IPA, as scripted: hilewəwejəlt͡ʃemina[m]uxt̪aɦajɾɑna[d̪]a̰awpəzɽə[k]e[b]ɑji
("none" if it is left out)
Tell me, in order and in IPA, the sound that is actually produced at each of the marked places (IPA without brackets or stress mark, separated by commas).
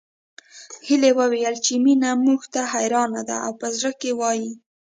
m, d̪, k, w